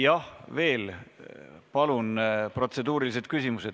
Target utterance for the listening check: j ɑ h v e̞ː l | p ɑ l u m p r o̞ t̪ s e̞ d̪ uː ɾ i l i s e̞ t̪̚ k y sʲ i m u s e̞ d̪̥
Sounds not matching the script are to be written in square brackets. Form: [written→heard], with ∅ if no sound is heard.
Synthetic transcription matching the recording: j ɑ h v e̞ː l | p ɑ l u [m→n] p r o̞ t̪ s e̞ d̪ uː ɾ i l i s e̞ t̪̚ k y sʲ i m u s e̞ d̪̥

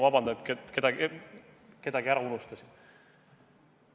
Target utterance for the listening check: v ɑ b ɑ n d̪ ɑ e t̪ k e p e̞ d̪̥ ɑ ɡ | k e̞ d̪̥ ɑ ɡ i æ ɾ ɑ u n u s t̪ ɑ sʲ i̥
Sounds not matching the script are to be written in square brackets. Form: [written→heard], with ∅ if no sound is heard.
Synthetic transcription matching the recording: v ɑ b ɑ n d̪ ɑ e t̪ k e [p→k] e̞ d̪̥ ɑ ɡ | k e̞ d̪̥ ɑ ɡ i æ ɾ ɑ u n u s t̪ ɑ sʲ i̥

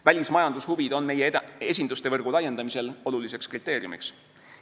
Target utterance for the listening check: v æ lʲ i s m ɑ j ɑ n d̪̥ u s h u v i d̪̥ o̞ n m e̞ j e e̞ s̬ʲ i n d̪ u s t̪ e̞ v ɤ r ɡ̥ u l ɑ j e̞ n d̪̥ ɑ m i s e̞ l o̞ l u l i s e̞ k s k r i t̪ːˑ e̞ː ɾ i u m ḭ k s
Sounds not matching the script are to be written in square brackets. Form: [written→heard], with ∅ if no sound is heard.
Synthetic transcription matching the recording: v æ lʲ i s m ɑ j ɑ n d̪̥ u s h u v i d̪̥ o̞ n m e̞ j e e̞ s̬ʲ i n d̪ u s t̪ e̞ v ɤ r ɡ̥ u l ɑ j e̞ n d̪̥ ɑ m i s e̞ l o̞ l u l i s e̞ k s k r i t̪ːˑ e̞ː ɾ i u m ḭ k s

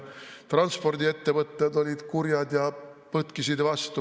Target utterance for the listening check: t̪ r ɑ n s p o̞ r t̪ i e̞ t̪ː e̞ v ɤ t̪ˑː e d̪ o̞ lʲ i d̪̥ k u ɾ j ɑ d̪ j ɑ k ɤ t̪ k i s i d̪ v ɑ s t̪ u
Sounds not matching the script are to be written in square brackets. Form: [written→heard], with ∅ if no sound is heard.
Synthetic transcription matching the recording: t̪ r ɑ n s p o̞ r [t̪→d̪] i e̞ t̪ː e̞ v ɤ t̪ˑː e d̪ o̞ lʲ i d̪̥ k u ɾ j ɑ d̪ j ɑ [k→p] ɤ t̪ k i s i d̪ v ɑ s t̪ u

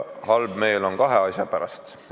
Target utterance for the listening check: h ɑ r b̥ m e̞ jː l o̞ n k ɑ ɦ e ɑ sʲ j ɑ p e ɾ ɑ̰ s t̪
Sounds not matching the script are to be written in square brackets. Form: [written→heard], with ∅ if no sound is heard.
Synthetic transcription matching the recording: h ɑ [r→l] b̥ m e̞ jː l o̞ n k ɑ ɦ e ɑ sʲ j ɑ p [e→æ] ɾ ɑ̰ s t̪

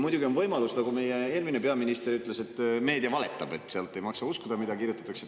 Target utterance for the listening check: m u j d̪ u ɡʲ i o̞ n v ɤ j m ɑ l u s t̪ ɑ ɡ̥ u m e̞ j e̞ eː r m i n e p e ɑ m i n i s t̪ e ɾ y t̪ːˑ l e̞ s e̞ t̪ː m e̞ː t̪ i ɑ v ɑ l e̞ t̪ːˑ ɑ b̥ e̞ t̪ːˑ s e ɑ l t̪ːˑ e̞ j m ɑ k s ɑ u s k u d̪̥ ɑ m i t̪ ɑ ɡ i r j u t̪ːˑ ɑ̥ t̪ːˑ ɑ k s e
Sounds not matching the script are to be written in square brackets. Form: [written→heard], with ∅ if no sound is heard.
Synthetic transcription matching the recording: m u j d̪ u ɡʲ i o̞ n v ɤ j m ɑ l u s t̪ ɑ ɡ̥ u m e̞ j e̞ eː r m i n e p e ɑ m i n i s t̪ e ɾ y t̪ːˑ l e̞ s e̞ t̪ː m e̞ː [t̪→d̪] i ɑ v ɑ l e̞ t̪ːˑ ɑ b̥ e̞ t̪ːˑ s e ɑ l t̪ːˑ e̞ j m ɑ k s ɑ u s k u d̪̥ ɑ m i [t̪→d̪] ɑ [ɡ→k] i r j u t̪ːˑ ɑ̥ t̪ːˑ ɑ k s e

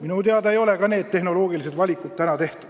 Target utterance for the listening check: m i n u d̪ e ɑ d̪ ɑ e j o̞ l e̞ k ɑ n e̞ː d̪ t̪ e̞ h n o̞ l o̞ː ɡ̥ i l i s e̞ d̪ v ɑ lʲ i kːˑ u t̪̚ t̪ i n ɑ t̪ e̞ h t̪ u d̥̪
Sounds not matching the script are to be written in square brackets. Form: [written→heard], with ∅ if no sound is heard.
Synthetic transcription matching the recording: m i n u [d̪→t̪] e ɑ d̪ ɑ e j o̞ l e̞ k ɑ n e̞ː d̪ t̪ e̞ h n o̞ l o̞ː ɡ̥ i l i s e̞ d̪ v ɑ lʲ i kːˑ u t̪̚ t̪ [i→æ] n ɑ t̪ e̞ h t̪ u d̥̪

